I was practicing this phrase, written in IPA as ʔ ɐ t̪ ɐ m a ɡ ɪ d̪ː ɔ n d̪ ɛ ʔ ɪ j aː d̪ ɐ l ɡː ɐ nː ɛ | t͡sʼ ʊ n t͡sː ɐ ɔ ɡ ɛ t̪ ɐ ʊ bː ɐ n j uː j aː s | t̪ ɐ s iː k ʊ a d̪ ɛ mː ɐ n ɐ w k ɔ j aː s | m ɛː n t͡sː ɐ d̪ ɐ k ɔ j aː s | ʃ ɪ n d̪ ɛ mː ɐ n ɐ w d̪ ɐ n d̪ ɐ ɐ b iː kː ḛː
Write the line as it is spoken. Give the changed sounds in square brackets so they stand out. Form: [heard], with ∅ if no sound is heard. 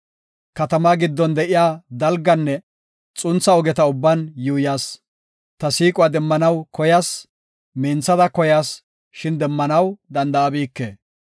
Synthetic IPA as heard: [k] ɐ t̪ ɐ m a ɡ ɪ d̪ː ɔ n d̪ ɛ ʔ ɪ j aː d̪ ɐ l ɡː ɐ nː ɛ | t͡sʼ ʊ n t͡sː ɐ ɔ ɡ ɛ t̪ ɐ ʊ bː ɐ n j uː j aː s | t̪ ɐ s iː [kʼ] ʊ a d̪ ɛ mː ɐ n ɐ w k ɔ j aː s | m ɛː n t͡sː ɐ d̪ ɐ k ɔ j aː s | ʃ ɪ n d̪ ɛ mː ɐ n ɐ w d̪ ɐ n d̪ ɐ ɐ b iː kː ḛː

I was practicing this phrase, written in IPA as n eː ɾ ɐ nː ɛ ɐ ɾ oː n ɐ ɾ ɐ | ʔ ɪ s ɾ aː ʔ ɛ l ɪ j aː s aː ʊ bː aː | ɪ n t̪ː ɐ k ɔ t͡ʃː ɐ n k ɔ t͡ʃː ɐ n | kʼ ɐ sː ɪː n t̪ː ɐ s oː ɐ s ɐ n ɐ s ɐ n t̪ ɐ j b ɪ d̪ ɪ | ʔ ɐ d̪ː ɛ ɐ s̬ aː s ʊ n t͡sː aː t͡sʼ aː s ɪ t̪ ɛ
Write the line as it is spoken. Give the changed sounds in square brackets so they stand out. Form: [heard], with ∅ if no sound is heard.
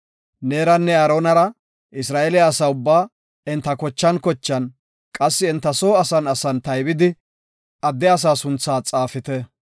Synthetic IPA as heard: n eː ɾ ɐ nː ɛ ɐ ɾ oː n ɐ ɾ ɐ | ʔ ɪ s ɾ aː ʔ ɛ l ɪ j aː s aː ʊ bː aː | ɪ n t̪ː ɐ k ɔ t͡ʃː ɐ n k ɔ t͡ʃː ɐ n | kʼ ɐ sː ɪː n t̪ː ɐ s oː ɐ s ɐ n ɐ s ɐ n t̪ ɐ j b ɪ d̪ ɪ | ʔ ɐ d̪ː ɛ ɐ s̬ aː s ʊ n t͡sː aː t͡sʼ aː [f] ɪ t̪ ɛ

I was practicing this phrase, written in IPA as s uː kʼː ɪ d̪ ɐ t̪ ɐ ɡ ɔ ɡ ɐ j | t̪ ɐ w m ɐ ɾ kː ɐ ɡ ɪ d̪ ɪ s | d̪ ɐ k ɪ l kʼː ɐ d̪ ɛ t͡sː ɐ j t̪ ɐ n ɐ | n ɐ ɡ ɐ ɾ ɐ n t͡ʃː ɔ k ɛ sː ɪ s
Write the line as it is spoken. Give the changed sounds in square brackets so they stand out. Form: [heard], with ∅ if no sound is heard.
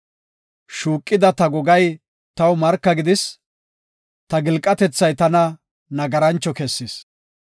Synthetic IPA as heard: [ʃ] uː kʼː ɪ d̪ ɐ t̪ ɐ ɡ ɔ ɡ ɐ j | t̪ ɐ w m ɐ ɾ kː ɐ ɡ ɪ d̪ ɪ s | [t̪] ɐ [ɡ] ɪ l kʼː ɐ [t̪] ɛ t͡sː ɐ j t̪ ɐ n ɐ | n ɐ ɡ ɐ ɾ ɐ n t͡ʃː ɔ k ɛ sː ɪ s

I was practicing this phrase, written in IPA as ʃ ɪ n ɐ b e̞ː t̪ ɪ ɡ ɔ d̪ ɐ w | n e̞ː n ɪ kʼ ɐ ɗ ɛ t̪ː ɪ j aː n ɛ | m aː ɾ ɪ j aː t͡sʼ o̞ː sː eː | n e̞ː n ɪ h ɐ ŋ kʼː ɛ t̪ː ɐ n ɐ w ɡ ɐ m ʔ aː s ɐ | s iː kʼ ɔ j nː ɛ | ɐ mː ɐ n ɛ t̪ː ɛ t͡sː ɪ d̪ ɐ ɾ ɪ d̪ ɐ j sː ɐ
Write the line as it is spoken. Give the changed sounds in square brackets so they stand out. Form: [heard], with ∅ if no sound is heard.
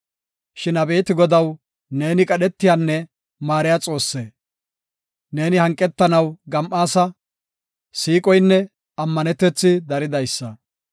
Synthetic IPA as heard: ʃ ɪ n ɐ b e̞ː t̪ ɪ ɡ ɔ d̪ ɐ w | n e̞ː n ɪ kʼ ɐ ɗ ɛ t̪ː ɪ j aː [nː] ɛ | m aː ɾ ɪ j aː t͡sʼ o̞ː sː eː | n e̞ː n ɪ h ɐ ŋ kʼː ɛ t̪ː ɐ n ɐ w ɡ ɐ m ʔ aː s ɐ | s iː kʼ ɔ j nː ɛ | ɐ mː ɐ n ɛ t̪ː ɛ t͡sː ɪ d̪ ɐ ɾ ɪ d̪ ɐ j sː ɐ

